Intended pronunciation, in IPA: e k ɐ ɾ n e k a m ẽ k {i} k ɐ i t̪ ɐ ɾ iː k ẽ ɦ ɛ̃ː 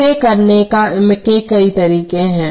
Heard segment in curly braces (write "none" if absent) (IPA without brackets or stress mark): e